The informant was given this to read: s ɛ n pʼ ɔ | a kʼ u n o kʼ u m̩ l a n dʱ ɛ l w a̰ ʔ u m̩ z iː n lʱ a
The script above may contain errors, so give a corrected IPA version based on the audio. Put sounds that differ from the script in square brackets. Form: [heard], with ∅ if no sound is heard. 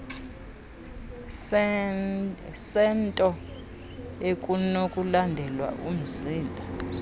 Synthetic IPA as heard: s ɛ n [tʼ] ɔ | [e] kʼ u n o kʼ u [∅] l a n dʱ ɛ l w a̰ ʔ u m̩ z iː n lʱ a